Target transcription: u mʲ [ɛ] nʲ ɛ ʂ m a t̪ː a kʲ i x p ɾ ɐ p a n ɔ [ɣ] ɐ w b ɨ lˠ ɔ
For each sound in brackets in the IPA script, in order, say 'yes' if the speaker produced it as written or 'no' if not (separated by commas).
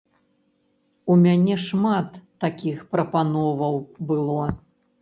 no, no